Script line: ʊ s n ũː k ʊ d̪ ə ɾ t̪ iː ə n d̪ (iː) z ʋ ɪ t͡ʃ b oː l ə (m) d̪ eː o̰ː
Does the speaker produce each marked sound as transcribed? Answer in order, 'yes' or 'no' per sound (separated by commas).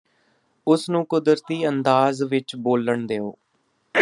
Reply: no, no